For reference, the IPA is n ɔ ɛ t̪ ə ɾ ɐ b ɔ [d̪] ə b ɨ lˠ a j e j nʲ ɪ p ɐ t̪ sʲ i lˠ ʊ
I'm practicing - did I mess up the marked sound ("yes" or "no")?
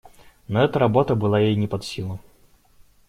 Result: yes